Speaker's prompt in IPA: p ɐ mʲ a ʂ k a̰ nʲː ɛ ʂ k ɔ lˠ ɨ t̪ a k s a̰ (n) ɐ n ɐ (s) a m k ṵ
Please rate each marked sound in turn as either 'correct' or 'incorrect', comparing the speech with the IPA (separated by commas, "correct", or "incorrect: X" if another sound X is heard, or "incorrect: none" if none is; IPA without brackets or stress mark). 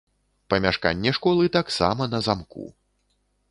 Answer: incorrect: m, incorrect: z